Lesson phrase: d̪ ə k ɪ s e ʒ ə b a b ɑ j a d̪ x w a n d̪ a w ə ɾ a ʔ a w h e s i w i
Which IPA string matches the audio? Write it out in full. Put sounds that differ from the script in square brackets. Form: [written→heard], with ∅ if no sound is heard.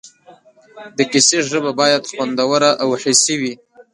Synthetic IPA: d̪ ə k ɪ s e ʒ ə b a b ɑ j a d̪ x w a n d̪ a w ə ɾ a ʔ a w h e s i w i